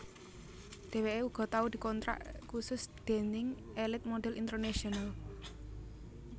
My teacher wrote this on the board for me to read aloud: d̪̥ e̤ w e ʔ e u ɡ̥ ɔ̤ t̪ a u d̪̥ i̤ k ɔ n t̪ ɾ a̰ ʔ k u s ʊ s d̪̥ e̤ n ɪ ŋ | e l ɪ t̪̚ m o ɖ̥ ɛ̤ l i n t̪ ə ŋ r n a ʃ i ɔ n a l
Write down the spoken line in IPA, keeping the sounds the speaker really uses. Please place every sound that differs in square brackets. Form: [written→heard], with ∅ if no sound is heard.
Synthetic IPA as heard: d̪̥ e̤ w e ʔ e u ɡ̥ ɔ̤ t̪ a u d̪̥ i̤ k ɔ n t̪ ɾ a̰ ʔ k u s ʊ s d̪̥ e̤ n ɪ ŋ | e l ɪ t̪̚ m o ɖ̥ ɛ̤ l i n t̪ ə [ŋ→∅] r n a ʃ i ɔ n a l